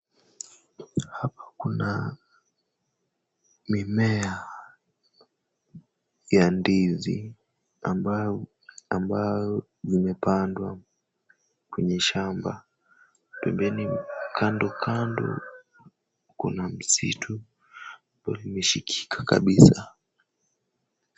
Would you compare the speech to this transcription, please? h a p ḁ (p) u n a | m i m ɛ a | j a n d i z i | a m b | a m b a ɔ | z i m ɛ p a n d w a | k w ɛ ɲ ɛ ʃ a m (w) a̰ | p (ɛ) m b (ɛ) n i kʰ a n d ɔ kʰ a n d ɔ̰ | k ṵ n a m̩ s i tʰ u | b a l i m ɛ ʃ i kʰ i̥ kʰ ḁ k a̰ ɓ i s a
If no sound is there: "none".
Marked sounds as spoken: k, b, ɛ, ɛ

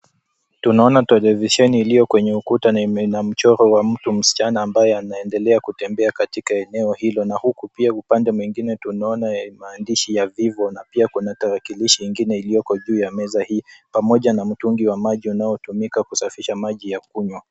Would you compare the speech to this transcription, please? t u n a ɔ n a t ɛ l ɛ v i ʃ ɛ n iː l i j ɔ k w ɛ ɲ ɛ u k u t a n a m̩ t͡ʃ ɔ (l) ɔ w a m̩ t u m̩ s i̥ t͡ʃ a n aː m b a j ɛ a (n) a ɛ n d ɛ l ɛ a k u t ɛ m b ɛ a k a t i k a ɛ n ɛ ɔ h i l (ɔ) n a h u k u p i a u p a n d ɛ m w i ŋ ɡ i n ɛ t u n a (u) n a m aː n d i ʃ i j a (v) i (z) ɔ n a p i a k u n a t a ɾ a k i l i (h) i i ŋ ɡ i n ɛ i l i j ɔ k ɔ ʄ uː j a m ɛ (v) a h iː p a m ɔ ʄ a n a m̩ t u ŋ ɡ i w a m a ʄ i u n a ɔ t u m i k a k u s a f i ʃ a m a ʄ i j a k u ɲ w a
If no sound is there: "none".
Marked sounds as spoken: ɾ, n, ɔ, ɔ, v, v, ʃ, z

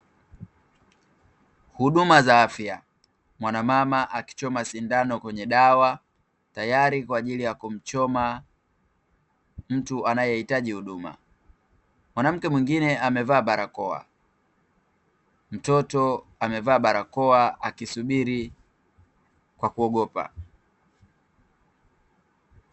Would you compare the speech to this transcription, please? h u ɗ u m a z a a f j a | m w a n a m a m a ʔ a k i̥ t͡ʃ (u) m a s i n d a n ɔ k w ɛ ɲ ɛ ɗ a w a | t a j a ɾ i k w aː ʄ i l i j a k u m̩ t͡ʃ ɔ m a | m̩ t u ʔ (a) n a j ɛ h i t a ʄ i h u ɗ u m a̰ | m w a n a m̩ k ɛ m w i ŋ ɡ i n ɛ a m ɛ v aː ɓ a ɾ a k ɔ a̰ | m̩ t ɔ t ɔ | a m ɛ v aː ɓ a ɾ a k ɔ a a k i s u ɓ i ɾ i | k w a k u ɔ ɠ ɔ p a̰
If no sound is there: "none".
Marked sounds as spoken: ɔ, a

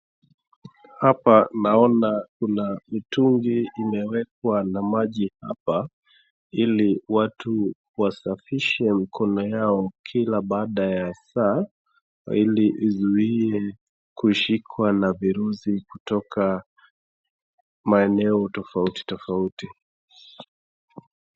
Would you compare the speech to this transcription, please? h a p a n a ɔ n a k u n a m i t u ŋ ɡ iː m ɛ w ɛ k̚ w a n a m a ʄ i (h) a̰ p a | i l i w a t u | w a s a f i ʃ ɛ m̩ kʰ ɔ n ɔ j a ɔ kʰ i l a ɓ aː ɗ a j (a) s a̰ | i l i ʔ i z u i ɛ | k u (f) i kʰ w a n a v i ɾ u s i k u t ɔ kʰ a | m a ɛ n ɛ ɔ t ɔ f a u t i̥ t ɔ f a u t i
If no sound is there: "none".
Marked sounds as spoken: h, a, ʃ

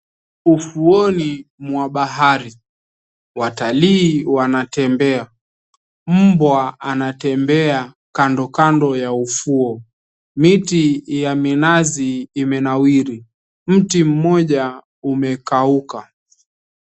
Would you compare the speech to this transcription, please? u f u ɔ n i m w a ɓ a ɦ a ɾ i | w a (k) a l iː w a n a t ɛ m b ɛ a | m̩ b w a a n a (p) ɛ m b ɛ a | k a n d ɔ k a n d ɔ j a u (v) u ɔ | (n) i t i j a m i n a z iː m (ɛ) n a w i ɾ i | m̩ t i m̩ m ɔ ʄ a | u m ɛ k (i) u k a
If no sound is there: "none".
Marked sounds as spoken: t, t, f, m, ɛ, a

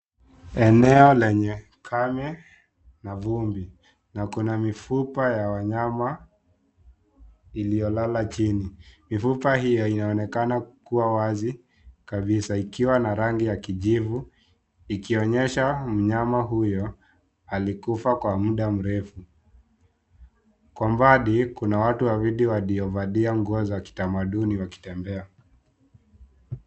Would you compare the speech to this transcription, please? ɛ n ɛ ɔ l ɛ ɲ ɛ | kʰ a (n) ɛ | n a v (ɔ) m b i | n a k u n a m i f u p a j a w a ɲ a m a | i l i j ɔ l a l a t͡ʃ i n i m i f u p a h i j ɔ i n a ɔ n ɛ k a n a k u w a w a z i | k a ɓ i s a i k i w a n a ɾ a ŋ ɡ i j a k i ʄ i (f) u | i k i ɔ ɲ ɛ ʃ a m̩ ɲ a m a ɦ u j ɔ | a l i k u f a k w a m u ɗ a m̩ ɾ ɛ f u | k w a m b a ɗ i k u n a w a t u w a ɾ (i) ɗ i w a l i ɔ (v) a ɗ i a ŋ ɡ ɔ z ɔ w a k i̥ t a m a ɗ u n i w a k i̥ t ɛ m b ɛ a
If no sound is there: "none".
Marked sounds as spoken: m, u, v, i, v

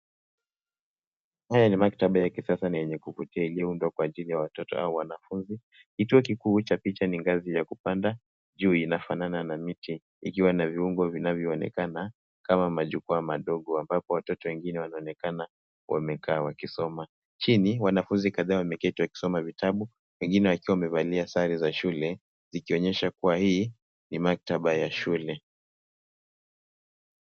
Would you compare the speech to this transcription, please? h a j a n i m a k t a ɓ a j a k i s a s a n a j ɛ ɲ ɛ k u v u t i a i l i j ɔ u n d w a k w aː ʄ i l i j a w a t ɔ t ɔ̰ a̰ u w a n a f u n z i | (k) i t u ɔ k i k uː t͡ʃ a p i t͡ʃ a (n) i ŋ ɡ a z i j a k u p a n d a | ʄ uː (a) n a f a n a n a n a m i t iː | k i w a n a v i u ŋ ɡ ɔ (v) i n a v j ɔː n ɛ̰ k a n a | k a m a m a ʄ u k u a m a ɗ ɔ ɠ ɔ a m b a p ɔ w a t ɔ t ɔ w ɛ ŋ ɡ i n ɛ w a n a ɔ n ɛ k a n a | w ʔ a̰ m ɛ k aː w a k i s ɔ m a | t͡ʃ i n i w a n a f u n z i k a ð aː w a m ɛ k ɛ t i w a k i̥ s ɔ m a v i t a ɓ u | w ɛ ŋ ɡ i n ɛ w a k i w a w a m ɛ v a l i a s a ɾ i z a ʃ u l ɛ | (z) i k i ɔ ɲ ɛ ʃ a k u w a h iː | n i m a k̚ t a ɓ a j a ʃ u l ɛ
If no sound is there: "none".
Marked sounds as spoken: k, n, i, v, z

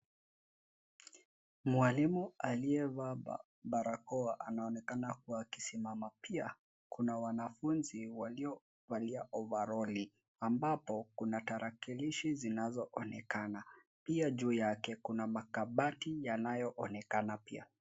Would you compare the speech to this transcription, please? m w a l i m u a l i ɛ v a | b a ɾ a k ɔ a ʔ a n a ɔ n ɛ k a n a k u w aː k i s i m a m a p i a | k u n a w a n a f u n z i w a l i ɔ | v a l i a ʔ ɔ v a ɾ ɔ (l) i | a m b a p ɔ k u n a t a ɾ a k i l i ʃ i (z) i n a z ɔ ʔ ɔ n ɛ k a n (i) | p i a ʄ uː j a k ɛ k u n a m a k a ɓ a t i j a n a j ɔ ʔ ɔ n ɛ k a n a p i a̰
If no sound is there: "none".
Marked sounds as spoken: l, z, a

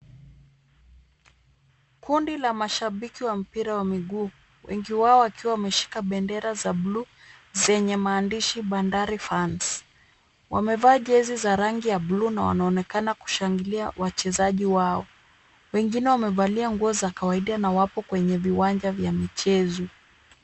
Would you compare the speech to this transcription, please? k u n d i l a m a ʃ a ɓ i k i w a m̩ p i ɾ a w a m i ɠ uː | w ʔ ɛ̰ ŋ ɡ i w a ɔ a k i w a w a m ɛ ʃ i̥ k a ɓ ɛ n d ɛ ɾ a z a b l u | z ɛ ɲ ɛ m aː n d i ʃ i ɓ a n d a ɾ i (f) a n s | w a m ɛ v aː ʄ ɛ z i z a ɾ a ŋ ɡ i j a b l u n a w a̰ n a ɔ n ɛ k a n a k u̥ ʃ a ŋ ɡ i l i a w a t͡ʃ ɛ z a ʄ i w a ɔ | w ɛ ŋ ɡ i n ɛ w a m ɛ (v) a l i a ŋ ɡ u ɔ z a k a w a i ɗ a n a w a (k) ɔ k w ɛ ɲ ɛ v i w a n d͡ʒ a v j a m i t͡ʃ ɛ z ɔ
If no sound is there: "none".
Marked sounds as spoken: f, v, p

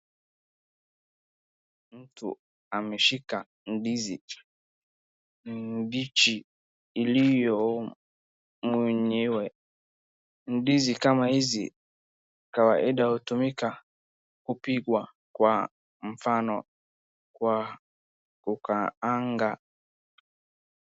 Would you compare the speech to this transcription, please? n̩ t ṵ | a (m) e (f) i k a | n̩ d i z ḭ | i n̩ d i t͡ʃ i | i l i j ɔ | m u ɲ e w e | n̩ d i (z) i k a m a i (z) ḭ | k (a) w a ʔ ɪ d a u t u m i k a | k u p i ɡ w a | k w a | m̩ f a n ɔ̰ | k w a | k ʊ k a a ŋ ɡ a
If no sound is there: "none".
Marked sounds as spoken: m, ʃ, z, z, a

